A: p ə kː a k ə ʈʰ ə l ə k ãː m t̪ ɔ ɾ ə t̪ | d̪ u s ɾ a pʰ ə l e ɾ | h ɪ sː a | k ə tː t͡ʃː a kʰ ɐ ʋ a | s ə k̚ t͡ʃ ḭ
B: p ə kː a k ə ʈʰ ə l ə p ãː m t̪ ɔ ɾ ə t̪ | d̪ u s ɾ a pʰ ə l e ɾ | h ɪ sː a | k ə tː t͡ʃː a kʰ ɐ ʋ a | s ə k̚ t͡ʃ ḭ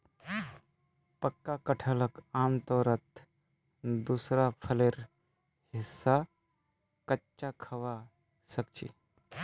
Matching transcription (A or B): A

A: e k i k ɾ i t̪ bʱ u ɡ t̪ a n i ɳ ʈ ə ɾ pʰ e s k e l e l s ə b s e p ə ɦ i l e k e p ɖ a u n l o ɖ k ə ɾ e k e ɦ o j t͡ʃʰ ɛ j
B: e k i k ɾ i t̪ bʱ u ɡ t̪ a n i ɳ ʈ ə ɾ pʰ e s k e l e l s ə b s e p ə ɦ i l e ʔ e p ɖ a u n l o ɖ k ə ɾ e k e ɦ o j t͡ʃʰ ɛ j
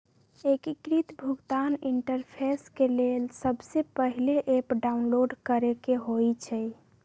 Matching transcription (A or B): B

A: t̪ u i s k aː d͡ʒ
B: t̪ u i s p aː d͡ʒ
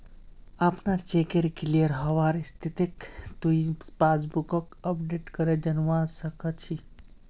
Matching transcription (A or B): B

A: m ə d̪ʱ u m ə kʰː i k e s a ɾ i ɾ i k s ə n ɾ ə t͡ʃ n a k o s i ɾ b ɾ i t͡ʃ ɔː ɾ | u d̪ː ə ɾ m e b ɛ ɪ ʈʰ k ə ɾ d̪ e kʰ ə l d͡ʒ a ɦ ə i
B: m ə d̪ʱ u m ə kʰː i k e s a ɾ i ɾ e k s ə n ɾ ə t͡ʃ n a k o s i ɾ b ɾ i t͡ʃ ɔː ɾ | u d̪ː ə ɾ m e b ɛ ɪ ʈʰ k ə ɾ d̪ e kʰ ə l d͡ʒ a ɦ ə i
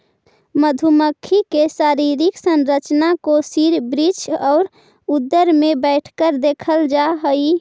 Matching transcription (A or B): A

